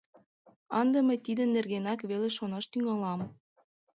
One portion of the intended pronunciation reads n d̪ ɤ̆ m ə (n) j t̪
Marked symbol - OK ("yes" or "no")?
no